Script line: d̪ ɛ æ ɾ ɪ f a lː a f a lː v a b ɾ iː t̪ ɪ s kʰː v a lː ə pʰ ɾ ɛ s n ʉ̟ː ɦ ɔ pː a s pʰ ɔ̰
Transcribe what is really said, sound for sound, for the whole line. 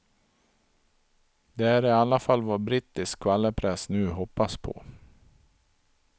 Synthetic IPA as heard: d̪ ɛ æ ɾ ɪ a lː a f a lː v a b ɾ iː t̪ ɪ s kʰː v a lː ə pʰ ɾ ɛ s n ʉ̟ː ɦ ɔ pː a s pʰ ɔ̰